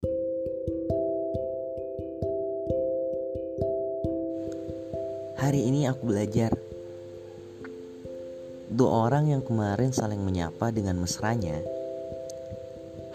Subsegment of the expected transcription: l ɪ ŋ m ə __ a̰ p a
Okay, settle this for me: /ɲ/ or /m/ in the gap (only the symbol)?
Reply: ɲ